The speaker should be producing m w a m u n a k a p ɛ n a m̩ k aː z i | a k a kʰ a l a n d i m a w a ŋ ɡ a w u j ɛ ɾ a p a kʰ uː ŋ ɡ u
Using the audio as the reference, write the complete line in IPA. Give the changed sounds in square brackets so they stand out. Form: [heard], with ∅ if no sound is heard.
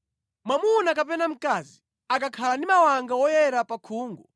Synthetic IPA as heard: m w a m u n a k a p ɛ n a m̩ k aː z i | a k a kʰ a l a n d i m a w a ŋ ɡ a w [ɔ] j ɛ ɾ a p a kʰ uː ŋ ɡ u